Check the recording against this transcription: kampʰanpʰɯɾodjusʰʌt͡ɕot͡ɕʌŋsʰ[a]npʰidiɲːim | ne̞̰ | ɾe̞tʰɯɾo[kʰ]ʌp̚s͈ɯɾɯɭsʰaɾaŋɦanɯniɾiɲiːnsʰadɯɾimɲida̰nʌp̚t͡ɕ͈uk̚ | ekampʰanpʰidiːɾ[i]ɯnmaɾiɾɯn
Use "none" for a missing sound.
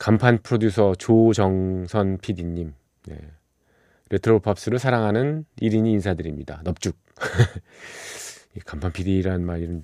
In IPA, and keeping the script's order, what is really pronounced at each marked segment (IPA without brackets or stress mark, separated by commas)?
ʌ, pʰ, a